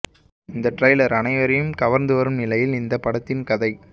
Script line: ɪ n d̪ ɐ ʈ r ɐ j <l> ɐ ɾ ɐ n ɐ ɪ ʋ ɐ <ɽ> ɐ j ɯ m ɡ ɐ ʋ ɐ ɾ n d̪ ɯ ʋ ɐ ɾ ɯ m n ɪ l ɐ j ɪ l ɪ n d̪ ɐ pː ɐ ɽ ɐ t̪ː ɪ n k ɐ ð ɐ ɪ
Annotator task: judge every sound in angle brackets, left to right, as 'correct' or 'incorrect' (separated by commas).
correct, incorrect